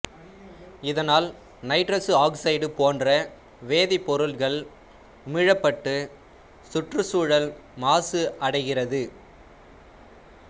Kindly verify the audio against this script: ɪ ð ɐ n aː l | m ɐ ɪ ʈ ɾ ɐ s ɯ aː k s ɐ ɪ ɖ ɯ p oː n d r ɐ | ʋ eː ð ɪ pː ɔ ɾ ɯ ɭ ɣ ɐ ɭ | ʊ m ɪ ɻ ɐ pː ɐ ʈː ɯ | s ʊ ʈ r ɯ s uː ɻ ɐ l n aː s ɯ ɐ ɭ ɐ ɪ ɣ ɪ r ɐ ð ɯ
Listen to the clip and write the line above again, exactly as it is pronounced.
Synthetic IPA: ɪ ð ɐ n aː l | n ɐ ɪ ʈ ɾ ɐ s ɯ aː k s ɐ ɪ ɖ ɯ p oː n d r ɐ | ʋ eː ð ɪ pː ɔ ɾ ɯ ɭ ɣ ɐ ɭ | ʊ m ɪ ɻ ɐ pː ɐ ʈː ɯ | s ʊ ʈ r ɯ s uː ɻ ɐ l m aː s ɯ ɐ ɽ ɐ ɪ ɣ ɪ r ɐ ð ɯ

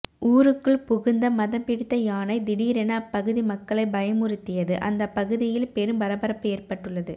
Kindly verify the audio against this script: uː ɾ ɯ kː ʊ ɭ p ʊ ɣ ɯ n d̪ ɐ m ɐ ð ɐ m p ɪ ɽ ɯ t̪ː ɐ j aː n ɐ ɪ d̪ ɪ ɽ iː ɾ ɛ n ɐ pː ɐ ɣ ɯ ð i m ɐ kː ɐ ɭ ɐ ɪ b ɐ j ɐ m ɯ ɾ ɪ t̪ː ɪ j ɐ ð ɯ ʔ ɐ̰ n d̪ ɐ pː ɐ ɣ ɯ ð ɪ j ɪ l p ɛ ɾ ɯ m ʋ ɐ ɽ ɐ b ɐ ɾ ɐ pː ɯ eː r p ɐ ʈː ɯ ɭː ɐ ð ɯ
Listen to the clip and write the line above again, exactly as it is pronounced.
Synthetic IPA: uː ɾ ɯ kː ɯ ɭ p ʊ ɣ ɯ n d̪ ɐ m ɐ ð ɐ m p ɪ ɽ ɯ t̪ː ɐ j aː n ɐ ɪ d̪ ɪ ɽ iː ɾ ɛ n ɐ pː ɐ ɣ ɯ ð i m ɐ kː ɐ ɭ ɐ ɪ b ɐ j ɐ m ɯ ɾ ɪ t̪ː ɪ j ɐ ð ɯ ʔ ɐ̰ n d̪ ɐ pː ɐ ɣ ɯ ð ɪ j ɪ l p ɛ ɾ ɯ m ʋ ɐ ɾ ɐ b ɐ ɾ ɐ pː ɯ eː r p ɐ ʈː ɯ ɭː ɐ ð ɯ

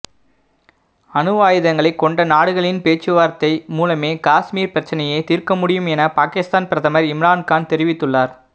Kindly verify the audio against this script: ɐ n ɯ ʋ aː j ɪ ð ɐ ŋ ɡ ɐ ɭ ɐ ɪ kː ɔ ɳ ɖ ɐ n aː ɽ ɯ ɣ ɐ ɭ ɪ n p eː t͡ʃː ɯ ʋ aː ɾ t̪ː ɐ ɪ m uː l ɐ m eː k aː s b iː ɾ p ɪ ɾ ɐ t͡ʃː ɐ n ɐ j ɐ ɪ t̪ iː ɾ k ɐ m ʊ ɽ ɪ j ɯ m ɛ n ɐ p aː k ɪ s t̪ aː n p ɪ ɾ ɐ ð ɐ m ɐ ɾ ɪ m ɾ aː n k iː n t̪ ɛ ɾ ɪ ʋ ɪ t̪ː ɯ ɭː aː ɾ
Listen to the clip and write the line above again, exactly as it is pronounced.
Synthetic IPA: ɐ n ɯ ʋ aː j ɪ ð ɐ ŋ ɡ ɐ ɭ ɐ ɪ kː ɔ ɳ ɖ ɐ n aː ɽ ɯ ɣ ɐ ɭ ɪ n p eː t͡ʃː ɯ ʋ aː ɾ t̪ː ɐ ɪ m uː l ɐ m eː k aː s m iː ɾ p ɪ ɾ ɐ t͡ʃː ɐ n ɐ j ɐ ɪ t̪ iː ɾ k ɐ m ʊ ɽ ɪ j ɯ m ɛ n ɐ p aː k ɪ s t̪ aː n p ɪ ɾ ɐ ð ɐ m ɐ ɾ ɪ m ɾ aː n k aː n t̪ ɛ ɾ ɪ ʋ ɪ t̪ː ɯ ɭː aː ɾ

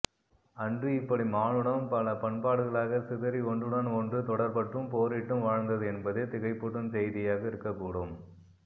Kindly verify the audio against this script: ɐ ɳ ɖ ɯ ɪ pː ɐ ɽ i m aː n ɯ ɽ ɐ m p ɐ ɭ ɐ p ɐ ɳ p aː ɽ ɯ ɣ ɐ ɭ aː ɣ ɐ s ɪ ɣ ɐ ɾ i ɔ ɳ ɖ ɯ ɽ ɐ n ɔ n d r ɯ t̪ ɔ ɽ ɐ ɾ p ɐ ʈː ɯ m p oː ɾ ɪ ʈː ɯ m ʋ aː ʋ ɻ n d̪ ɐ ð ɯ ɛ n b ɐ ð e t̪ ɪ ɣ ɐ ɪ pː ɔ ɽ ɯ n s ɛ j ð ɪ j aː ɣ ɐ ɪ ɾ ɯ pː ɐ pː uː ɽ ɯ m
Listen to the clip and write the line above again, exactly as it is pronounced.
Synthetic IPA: ɐ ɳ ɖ ɯ ɪ pː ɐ ɽ i m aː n ɯ ɽ ɐ m p ɐ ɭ ɐ p ɐ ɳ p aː ɽ ɯ ɣ ɐ ɭ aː ɣ ɐ s ɪ ð ɐ ɾ i ɔ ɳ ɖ ɯ ɽ ɐ n ɔ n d r ɯ t̪ ɔ ɽ ɐ ɾ p ɐ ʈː ɯ m p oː ɾ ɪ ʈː ɯ m ʋ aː ɻ n d̪ ɐ ð ɯ ɛ n b ɐ ð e t̪ ɪ ɣ ɐ ɪ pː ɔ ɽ ɯ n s ɛ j ð ɪ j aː ɣ ɐ ɪ ɾ ɯ kː ɐ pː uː ɽ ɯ m

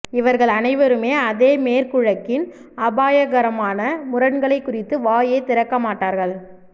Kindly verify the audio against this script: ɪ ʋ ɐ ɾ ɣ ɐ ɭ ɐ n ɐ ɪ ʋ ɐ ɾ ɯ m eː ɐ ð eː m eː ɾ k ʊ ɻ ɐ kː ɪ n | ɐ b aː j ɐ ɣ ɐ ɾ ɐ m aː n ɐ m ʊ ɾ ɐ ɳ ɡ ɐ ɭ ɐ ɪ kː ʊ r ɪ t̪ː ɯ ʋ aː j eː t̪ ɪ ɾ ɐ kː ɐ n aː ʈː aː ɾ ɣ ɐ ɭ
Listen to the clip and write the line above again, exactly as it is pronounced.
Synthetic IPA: ɪ ʋ ɐ ɾ ɣ ɐ ɭ ɐ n ɐ ɪ ʋ ɐ ɾ ɯ m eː ɐ ð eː m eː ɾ k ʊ ɻ ɐ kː ɪ n | ɐ b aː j ɐ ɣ ɐ ɾ ɐ m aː n ɐ m ʊ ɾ ɐ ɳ ɡ ɐ ɭ ɐ ɪ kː ʊ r ɪ t̪ː ɯ ʋ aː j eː t̪ ɪ ɾ ɐ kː ɐ m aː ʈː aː ɾ ɣ ɐ ɭ

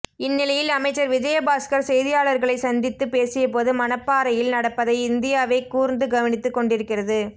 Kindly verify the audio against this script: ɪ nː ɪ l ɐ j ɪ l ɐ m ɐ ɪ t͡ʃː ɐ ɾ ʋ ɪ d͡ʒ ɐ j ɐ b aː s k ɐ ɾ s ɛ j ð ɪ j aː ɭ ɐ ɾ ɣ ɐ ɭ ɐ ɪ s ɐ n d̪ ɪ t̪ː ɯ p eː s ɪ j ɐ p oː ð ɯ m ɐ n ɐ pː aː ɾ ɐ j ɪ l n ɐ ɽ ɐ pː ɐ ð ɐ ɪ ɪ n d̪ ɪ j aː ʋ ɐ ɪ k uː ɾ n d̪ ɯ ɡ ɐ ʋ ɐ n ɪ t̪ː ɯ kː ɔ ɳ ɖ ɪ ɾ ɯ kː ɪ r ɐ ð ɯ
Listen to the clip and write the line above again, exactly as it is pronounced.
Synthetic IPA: ɪ nː ɪ l ɐ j ɪ l ɐ m ɐ ɪ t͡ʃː ɐ ɾ ʋ ɪ d͡ʒ ɐ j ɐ b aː s k ɐ ɾ s ɛ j ð ɪ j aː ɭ ɐ ɾ ɣ ɐ ɭ ɐ ɪ s ɐ n d̪ ɪ t̪ː ɯ p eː s ɪ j ɐ p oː ð ɯ m ɐ n ɐ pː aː ɾ ɐ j ɪ l n ɐ ɽ ɐ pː ɐ ð ɐ ɪ ɪ n d̪ ɪ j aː ʋ ɐ ɪ k uː ɾ n d̪ ɯ ɡ ɐ ʋ ɐ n ɪ t̪ː ɯ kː ɔ ɳ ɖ ɪ ɾ ɯ kː ɪ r ɐ ð ɯ

